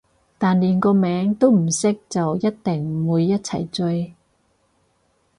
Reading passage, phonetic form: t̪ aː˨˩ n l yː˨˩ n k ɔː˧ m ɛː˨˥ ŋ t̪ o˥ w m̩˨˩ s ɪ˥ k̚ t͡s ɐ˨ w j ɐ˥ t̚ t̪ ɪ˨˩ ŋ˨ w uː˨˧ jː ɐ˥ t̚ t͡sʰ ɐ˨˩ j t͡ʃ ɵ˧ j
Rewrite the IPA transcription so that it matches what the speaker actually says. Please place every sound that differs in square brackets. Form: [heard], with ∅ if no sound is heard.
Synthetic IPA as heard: t̪ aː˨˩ n l [iː˨˩] n k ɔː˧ m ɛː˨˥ ŋ t̪ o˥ w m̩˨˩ s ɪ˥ k̚ t͡s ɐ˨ w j ɐ˥ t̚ t̪ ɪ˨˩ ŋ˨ w uː˨˧ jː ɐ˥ t̚ t͡sʰ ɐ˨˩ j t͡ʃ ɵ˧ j